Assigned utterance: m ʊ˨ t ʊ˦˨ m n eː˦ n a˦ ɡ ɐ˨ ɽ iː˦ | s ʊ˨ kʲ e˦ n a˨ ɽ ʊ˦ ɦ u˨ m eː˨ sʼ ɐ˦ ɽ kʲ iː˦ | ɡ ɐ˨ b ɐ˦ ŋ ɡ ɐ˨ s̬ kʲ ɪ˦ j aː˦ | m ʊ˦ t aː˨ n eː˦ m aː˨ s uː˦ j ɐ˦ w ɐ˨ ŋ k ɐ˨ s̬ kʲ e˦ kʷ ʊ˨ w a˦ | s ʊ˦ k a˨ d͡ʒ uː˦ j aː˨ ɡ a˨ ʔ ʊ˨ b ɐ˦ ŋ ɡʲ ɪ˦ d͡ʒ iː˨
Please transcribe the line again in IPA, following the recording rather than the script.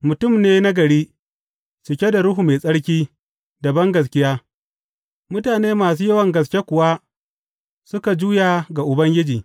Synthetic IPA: m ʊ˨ t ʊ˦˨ m n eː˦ n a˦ ɡ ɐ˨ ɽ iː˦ | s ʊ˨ kʲ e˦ d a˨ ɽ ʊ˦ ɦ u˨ m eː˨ sʼ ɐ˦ ɽ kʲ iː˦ | d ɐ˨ b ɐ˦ ŋ ɡ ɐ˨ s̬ kʲ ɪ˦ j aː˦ | m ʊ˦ t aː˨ n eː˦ m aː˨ s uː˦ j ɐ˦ w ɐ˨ ŋ ɡ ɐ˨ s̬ kʲ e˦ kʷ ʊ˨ w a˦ | s ʊ˦ k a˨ d͡ʒ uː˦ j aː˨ ɡ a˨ ʔ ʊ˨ b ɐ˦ ŋ ɡʲ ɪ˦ d͡ʒ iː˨